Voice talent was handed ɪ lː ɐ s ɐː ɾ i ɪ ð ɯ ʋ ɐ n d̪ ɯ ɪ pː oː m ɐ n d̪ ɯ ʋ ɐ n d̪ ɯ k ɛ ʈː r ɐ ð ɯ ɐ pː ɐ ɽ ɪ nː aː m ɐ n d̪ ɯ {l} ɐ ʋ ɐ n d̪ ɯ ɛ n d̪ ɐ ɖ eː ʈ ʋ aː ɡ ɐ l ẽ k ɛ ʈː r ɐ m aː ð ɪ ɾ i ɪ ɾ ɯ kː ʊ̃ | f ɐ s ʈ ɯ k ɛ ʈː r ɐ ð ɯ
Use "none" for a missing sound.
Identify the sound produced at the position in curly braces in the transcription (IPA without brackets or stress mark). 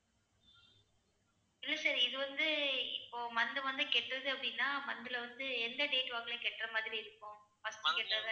l